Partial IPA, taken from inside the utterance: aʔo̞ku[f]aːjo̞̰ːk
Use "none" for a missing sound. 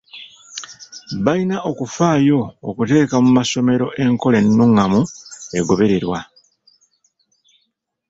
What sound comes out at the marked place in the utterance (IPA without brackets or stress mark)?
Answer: f